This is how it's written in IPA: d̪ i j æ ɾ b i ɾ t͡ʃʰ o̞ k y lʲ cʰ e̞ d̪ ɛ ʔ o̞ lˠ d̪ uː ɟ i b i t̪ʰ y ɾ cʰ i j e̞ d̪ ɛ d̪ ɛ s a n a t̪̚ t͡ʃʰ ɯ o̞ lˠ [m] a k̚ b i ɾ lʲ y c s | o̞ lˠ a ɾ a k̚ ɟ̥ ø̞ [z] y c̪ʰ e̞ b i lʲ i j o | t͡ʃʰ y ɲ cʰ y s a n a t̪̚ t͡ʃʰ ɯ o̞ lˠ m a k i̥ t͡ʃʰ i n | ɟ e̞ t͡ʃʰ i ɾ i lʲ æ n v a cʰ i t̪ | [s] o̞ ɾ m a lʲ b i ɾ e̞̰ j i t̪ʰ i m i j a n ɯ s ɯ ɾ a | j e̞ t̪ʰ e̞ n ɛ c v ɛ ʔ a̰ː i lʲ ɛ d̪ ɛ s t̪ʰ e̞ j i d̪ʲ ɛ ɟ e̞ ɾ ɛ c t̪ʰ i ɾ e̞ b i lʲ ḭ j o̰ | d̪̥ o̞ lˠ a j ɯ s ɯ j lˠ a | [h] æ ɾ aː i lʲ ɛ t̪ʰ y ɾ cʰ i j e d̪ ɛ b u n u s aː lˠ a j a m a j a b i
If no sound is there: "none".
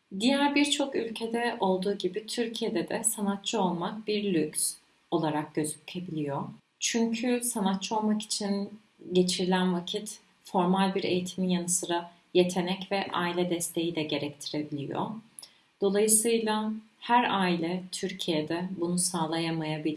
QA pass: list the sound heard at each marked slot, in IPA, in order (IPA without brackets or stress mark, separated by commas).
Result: m, z, f, h